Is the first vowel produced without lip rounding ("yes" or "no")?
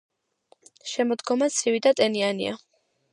yes